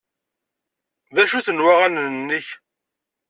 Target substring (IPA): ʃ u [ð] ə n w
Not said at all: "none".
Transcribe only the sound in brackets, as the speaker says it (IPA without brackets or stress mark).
θ